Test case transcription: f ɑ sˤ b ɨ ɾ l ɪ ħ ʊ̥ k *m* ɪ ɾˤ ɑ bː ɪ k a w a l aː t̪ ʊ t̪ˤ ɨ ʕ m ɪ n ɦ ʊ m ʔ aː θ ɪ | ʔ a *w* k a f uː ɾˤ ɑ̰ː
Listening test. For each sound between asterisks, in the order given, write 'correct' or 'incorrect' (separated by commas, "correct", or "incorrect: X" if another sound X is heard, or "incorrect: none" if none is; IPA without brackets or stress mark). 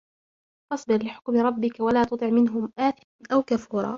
correct, correct